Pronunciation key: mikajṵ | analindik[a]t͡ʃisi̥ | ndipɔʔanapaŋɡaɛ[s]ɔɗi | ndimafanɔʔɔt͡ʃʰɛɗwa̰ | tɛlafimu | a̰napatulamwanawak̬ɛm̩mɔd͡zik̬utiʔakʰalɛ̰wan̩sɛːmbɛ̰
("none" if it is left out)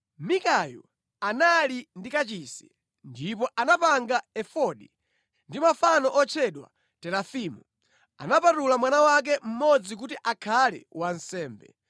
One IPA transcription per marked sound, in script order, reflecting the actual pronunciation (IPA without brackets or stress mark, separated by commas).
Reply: a, f